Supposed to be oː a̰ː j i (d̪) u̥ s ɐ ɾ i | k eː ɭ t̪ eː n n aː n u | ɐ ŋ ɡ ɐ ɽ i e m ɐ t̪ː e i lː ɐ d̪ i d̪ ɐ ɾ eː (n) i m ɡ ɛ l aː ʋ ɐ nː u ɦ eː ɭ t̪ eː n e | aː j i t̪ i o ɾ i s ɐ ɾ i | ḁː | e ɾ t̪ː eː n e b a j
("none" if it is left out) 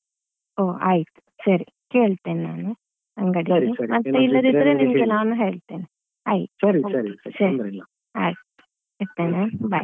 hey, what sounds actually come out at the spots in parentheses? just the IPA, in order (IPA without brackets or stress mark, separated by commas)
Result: t̪, n